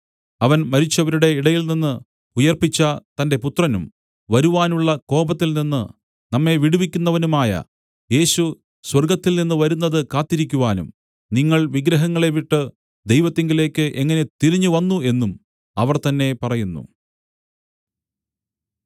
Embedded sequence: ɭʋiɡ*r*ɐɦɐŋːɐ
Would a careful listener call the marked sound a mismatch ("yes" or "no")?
yes